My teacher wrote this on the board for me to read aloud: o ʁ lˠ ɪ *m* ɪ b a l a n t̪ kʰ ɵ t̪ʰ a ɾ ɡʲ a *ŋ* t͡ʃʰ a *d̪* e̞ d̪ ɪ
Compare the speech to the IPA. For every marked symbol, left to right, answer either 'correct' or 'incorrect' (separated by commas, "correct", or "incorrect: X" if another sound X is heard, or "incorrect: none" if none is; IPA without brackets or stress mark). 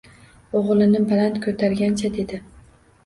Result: incorrect: n, incorrect: n, correct